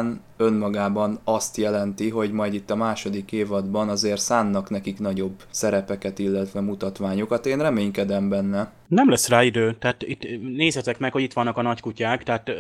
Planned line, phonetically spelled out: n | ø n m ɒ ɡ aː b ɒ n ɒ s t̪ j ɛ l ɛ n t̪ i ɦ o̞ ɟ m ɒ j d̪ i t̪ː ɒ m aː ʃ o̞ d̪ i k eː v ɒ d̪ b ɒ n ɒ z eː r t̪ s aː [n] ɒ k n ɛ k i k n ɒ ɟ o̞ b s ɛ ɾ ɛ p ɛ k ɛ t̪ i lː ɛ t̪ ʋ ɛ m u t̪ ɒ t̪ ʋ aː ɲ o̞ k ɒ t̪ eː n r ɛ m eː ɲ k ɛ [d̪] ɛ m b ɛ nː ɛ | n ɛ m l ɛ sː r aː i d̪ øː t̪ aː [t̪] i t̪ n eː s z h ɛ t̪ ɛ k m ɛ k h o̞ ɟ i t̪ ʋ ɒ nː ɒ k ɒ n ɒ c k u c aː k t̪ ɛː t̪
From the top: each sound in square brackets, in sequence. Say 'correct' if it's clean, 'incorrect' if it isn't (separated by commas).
incorrect, correct, correct